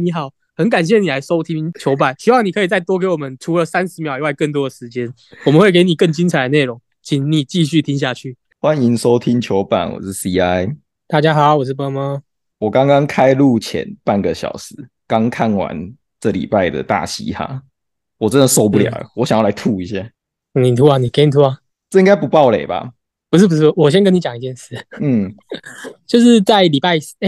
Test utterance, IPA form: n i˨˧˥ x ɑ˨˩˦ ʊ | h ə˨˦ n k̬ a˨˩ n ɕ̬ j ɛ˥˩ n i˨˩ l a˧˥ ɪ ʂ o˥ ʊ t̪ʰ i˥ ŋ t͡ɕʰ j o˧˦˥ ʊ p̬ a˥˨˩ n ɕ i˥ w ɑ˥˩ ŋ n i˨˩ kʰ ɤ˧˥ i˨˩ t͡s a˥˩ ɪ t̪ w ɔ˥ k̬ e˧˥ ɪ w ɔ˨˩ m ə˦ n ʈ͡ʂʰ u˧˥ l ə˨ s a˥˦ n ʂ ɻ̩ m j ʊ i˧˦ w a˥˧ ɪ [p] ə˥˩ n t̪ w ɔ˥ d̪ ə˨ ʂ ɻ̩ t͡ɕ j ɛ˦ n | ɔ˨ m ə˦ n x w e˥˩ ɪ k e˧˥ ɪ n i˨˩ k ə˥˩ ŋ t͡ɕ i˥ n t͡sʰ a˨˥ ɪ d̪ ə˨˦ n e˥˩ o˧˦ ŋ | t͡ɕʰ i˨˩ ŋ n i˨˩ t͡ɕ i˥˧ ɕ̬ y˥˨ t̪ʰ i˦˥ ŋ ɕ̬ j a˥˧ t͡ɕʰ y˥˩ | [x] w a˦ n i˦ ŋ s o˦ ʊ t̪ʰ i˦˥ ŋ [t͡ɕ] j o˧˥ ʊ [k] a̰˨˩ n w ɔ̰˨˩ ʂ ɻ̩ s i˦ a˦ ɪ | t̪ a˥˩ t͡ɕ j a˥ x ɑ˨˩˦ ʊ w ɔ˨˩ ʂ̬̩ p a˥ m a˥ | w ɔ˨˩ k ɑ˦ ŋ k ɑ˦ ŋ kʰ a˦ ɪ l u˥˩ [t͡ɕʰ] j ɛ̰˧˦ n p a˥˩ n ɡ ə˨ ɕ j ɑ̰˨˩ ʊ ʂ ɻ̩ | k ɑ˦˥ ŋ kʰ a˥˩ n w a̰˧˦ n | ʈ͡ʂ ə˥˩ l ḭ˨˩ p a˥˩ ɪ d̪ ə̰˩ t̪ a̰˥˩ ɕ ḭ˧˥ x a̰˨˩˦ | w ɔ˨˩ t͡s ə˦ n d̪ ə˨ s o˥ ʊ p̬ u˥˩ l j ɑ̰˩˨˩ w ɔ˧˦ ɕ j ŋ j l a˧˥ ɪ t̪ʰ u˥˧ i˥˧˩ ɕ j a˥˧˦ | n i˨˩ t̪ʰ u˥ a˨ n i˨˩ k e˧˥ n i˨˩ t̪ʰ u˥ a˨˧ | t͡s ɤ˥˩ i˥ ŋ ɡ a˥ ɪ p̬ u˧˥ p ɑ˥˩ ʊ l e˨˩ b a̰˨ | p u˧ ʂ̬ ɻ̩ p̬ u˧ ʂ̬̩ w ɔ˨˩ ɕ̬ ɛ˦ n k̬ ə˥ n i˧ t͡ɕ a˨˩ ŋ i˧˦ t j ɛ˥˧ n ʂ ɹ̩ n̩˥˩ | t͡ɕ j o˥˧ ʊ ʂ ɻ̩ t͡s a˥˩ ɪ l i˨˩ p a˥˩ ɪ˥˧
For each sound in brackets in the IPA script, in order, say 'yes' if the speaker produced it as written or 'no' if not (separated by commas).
no, yes, no, no, yes